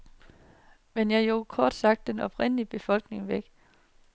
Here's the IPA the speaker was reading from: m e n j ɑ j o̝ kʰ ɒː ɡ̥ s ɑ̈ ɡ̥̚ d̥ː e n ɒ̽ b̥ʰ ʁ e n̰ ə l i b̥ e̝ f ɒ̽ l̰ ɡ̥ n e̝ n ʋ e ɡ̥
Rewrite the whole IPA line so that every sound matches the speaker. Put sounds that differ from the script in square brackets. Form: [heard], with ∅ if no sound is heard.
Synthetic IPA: m e n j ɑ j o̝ kʰ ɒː [d̥] s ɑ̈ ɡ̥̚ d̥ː e n ɒ̽ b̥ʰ ʁ e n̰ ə l i b̥ e̝ f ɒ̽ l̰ ɡ̥ n e̝ [ŋ] ʋ e ɡ̥